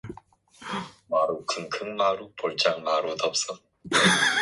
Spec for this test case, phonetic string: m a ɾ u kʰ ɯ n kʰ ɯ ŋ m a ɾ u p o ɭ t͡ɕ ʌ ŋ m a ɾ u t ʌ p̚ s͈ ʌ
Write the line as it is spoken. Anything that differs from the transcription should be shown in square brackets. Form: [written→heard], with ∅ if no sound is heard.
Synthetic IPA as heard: m a ɾ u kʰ ɯ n kʰ ɯ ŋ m a ɾ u p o ɭ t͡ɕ [ʌ→a] ŋ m a ɾ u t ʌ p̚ s͈ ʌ